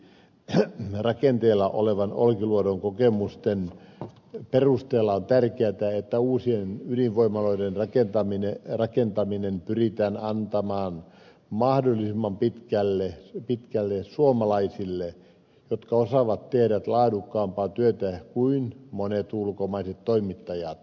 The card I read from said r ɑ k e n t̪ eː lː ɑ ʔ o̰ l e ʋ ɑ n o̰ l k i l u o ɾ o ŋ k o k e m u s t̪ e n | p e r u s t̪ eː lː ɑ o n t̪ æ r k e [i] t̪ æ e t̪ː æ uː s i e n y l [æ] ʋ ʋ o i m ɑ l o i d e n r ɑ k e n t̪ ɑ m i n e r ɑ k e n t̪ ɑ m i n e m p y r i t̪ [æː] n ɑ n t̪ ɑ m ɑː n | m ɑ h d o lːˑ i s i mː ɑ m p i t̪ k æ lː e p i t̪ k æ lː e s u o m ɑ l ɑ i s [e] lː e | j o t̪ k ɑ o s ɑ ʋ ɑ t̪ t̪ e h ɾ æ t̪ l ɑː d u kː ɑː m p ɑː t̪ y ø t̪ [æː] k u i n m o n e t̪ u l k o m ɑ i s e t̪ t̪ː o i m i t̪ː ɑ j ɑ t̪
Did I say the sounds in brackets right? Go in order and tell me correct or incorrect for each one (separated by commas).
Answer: incorrect, incorrect, correct, incorrect, incorrect